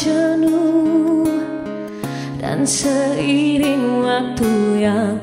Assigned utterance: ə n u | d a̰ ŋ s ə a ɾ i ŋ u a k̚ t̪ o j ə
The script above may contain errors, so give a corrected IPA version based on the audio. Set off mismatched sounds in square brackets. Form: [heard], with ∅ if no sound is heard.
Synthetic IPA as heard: ə n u | d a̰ [n] s ə [i] ɾ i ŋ [w] a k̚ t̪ [u] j [a]